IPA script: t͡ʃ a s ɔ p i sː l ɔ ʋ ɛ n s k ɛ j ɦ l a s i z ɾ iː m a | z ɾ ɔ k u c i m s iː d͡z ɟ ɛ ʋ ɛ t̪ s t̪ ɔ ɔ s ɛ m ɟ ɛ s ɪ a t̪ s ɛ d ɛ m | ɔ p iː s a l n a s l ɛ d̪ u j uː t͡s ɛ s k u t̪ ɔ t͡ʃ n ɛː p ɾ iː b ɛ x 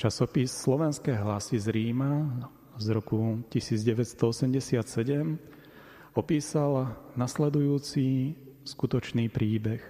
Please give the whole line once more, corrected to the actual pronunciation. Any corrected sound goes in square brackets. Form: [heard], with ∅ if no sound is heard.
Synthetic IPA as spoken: t͡ʃ a s ɔ p i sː l ɔ ʋ ɛ n s k ɛ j ɦ l a s i z ɾ iː m a | z ɾ ɔ k u c i [∅] s iː d͡z ɟ ɛ ʋ ɛ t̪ s t̪ ɔ ɔ s ɛ m ɟ ɛ s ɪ a t̪ s ɛ [ɟ] ɛ m | ɔ p iː s a l n a s l ɛ d̪ u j uː t͡s [i] s k u t̪ ɔ t͡ʃ n [iː] p ɾ iː b ɛ x